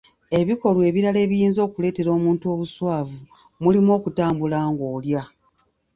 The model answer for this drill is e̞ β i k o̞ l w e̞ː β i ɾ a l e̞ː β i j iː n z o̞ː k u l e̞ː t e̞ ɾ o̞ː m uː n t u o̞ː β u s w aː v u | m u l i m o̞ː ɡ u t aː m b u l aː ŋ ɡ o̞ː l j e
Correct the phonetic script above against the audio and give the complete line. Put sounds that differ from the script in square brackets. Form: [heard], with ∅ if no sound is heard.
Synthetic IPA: e̞ β i k o̞ l w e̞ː β i ɾ a l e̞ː β i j iː n z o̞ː k u l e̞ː t e̞ ɾ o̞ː m uː n t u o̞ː β u s w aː v u | m u l i m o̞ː [k] u t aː m b u l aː ŋ ɡ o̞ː l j [a]